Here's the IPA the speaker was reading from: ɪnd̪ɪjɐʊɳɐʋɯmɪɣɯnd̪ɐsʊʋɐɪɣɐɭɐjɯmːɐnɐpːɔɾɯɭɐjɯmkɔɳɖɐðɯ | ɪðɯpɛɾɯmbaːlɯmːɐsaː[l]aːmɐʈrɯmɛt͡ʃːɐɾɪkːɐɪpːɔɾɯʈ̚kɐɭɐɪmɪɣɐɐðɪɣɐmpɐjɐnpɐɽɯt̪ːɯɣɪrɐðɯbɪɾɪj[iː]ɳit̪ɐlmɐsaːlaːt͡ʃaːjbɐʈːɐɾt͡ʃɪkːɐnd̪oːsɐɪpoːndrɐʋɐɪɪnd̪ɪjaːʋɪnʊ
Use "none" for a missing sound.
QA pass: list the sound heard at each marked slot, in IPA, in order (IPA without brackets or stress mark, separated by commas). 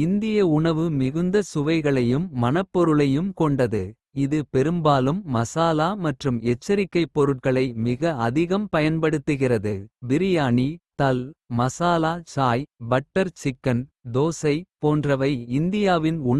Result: l, aː